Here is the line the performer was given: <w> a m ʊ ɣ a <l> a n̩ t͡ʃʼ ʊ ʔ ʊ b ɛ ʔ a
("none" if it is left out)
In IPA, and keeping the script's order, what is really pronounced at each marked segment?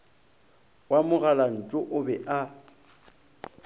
w, l

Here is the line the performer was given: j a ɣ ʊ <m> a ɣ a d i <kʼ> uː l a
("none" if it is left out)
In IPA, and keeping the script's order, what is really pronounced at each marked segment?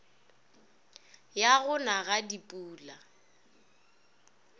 n, pʼ

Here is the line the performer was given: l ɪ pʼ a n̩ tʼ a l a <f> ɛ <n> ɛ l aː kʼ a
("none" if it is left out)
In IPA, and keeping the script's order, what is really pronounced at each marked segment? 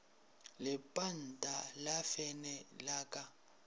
f, n

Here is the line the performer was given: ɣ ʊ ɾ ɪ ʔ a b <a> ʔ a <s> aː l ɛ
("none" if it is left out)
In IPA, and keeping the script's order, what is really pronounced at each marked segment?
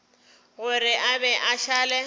ɛ, ʃ

